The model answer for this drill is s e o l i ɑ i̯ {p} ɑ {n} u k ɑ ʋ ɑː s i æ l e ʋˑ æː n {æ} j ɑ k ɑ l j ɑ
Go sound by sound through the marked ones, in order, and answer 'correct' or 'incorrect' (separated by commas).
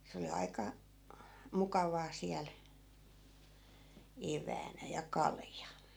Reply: incorrect, incorrect, correct